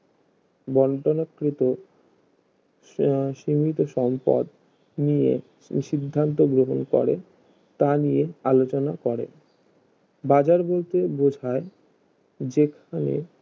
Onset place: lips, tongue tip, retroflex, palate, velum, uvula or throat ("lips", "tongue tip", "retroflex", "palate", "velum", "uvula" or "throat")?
lips